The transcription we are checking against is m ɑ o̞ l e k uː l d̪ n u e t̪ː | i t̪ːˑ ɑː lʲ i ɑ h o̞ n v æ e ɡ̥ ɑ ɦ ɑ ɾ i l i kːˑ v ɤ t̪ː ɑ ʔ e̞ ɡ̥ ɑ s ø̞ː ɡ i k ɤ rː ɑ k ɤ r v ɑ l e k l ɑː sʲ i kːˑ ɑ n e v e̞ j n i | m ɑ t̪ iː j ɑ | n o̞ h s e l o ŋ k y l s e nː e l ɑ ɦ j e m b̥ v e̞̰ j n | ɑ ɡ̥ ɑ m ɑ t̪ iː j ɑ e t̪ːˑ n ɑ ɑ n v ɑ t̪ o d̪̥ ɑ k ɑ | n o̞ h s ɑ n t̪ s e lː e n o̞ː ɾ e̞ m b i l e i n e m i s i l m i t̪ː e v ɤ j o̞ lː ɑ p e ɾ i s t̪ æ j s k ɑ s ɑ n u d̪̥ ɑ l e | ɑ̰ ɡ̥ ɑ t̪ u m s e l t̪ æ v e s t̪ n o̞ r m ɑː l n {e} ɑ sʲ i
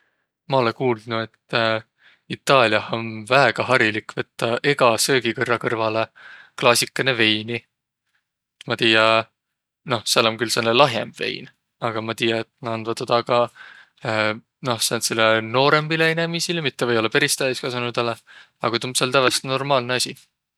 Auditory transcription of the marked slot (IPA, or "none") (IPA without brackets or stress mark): e